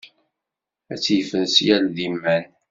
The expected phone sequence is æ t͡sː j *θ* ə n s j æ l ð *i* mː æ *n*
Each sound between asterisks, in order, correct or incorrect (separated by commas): incorrect, correct, correct